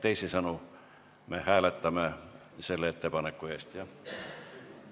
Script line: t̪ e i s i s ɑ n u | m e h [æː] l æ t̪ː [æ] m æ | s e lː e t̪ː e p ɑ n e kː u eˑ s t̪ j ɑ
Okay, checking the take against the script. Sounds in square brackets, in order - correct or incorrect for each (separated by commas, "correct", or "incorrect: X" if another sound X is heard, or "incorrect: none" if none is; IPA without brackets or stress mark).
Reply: correct, correct